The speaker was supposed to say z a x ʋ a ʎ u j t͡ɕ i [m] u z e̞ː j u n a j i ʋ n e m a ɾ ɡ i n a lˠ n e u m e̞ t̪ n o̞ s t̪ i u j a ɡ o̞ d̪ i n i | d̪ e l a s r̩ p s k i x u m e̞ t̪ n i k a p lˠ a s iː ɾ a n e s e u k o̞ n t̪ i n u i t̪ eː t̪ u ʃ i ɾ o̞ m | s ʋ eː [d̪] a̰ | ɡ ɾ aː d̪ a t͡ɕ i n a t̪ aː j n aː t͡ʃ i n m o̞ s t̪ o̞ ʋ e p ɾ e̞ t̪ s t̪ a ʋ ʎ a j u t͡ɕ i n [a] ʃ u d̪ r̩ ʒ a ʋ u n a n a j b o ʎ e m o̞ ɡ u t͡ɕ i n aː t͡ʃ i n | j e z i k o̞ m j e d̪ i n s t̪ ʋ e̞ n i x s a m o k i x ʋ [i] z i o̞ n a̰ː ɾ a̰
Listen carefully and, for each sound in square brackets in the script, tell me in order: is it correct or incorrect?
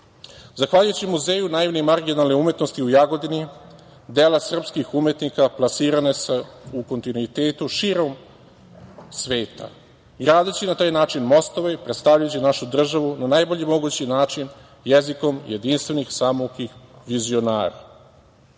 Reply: correct, incorrect: t̪, correct, correct

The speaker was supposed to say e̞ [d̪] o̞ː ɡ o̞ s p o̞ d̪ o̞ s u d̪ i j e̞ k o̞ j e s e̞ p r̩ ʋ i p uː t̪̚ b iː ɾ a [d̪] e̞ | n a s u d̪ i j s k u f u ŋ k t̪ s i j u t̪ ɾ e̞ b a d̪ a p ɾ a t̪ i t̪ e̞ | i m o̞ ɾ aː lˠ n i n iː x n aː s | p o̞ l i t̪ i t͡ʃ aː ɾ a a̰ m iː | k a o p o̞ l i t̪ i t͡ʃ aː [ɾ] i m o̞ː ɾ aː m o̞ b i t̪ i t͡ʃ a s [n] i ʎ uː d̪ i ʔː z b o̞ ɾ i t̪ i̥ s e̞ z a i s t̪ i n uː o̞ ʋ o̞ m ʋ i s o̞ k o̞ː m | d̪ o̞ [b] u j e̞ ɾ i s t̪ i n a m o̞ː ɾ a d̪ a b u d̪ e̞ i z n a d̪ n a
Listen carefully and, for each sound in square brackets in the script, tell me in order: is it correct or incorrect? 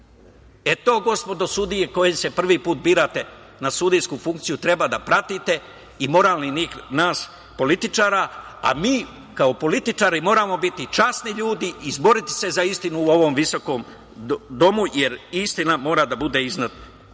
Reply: incorrect: t̪, incorrect: t̪, correct, correct, incorrect: m

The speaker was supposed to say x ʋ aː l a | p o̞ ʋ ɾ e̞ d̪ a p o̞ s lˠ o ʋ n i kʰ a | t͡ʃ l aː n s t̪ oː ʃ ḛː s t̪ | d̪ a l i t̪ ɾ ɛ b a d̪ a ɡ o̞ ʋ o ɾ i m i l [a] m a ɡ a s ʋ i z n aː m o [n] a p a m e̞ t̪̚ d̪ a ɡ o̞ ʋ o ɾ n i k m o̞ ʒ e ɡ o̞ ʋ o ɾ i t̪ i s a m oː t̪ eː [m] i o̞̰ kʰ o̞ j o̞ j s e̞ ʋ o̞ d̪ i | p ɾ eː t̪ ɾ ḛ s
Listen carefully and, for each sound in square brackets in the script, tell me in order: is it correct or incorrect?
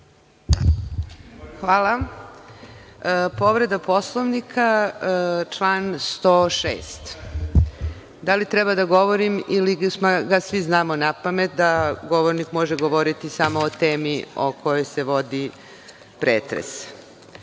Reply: incorrect: i, correct, correct

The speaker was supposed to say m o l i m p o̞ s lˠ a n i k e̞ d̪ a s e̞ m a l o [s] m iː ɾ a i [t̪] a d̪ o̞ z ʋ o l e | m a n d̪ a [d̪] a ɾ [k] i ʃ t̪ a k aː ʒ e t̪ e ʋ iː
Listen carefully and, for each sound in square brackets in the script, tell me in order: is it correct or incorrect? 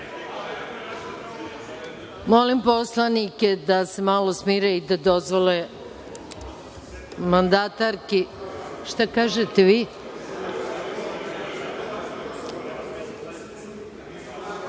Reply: correct, incorrect: d̪, incorrect: t̪, correct

